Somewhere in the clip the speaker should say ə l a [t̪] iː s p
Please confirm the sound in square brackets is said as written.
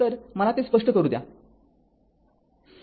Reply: yes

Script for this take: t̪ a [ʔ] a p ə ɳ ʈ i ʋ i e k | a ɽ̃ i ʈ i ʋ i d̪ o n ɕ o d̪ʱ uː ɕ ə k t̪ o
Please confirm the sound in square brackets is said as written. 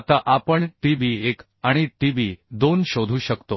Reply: yes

